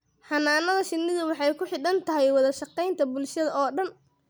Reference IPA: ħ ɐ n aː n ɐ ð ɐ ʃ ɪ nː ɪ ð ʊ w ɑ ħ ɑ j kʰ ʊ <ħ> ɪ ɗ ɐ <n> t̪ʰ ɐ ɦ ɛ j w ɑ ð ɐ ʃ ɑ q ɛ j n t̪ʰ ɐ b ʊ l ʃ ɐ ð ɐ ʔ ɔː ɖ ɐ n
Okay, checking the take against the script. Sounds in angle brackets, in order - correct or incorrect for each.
correct, correct

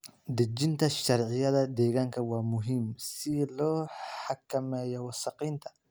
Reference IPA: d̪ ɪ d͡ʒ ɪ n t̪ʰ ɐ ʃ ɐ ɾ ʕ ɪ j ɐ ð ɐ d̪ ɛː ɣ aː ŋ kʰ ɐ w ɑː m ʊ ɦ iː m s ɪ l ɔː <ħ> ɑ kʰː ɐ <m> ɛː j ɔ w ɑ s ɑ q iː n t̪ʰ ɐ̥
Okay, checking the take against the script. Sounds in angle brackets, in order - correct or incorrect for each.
correct, correct

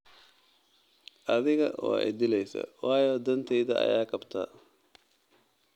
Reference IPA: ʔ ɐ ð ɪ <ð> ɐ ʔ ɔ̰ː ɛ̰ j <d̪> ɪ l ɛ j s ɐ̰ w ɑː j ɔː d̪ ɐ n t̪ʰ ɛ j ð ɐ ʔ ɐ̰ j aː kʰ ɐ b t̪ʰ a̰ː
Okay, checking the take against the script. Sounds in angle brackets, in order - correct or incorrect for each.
incorrect: ɣ, correct

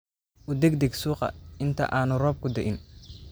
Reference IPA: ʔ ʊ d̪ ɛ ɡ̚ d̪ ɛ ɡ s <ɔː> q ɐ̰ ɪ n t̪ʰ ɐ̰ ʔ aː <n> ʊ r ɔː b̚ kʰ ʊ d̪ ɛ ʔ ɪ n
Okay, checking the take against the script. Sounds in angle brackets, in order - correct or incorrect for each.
incorrect: uː, correct

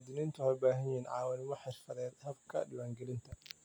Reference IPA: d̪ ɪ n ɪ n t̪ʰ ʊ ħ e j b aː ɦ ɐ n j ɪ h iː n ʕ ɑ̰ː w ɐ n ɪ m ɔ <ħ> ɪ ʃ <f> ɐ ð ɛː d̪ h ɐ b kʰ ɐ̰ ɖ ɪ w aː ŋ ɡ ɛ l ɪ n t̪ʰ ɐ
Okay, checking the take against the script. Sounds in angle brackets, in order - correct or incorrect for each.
correct, correct

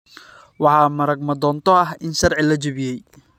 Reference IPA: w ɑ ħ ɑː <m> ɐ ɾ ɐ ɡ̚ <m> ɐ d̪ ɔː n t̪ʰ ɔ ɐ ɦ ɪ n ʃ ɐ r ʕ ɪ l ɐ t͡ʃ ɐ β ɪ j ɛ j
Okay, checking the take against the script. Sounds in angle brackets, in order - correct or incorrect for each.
correct, correct

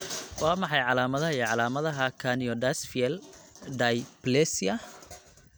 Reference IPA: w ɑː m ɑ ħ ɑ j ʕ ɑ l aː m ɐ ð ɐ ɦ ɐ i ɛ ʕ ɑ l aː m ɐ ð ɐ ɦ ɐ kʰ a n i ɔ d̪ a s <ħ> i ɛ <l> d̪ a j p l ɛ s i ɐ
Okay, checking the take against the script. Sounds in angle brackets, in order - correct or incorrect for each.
incorrect: f, correct

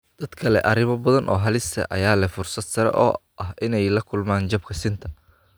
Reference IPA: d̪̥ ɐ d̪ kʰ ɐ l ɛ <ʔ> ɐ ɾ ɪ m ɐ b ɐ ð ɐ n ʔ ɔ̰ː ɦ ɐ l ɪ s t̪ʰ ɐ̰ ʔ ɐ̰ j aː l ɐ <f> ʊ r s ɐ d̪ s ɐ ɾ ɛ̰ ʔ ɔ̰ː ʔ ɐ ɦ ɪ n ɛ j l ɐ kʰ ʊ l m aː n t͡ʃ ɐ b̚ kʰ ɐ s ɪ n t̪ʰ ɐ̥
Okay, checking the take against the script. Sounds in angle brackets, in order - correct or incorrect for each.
correct, correct

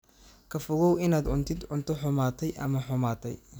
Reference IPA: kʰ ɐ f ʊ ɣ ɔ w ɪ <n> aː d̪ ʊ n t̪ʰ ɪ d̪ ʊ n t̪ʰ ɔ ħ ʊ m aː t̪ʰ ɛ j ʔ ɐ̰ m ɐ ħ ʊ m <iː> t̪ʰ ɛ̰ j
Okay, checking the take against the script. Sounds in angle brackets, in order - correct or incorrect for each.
correct, incorrect: aː

